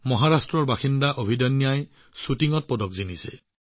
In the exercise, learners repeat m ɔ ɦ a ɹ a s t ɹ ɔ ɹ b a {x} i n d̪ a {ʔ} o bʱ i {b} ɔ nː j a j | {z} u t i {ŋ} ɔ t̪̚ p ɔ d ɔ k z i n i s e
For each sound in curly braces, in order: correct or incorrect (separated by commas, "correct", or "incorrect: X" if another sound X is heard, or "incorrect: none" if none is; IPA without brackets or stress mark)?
correct, correct, incorrect: d, incorrect: s, correct